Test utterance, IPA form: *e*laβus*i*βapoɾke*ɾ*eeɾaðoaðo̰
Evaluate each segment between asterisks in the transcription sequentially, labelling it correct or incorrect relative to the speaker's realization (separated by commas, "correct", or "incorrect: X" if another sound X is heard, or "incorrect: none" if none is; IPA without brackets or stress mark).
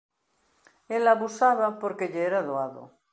correct, incorrect: a, incorrect: ʎ